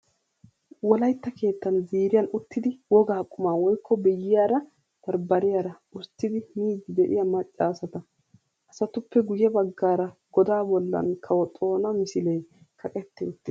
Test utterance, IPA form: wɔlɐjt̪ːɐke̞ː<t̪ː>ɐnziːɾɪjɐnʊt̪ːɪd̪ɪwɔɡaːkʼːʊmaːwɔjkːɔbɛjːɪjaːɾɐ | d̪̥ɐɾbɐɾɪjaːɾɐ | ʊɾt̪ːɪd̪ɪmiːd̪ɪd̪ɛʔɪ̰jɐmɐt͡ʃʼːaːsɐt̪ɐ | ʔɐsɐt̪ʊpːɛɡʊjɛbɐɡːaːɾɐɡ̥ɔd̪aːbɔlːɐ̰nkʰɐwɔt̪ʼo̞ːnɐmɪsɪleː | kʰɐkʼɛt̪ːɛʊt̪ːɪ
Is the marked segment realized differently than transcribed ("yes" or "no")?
no